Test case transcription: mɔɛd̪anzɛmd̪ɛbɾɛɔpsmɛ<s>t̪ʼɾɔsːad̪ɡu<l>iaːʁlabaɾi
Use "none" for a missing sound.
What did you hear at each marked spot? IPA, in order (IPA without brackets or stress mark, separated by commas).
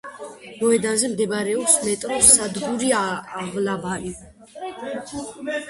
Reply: none, ɾ